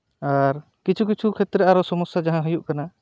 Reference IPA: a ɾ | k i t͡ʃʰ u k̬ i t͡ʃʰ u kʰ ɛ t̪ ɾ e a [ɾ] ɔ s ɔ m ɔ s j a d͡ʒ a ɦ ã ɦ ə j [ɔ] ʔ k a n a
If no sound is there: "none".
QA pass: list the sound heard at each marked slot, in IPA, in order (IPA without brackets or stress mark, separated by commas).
ɾ, u